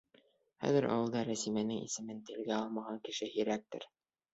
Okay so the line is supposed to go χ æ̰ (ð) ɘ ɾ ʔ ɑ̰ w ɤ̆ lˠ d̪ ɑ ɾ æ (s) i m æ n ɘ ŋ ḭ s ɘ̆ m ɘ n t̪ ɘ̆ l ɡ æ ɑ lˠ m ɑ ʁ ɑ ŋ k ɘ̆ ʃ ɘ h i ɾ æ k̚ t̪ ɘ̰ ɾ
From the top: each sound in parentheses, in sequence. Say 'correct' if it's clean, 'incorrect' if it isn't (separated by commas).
correct, correct